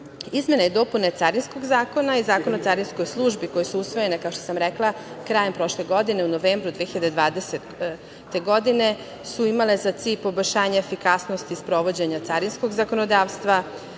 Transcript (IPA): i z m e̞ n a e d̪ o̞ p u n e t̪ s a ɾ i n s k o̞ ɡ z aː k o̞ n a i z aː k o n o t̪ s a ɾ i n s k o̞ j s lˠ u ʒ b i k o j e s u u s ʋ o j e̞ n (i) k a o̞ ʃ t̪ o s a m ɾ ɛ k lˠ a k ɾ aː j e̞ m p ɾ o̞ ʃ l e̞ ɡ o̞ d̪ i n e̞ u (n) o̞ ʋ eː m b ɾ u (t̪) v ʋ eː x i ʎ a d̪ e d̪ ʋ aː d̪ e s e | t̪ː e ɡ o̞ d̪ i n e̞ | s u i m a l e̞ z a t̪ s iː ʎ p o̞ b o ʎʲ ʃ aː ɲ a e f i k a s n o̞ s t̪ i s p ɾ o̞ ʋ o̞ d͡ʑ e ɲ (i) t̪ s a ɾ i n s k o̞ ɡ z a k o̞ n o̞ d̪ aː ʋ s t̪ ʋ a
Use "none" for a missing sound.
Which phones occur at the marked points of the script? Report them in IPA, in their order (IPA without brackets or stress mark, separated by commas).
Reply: e, n, d̪, a